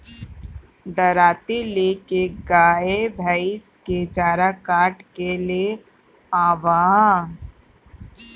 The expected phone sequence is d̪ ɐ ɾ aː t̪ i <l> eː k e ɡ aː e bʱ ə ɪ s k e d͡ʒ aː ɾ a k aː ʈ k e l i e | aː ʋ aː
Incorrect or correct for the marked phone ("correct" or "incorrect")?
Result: correct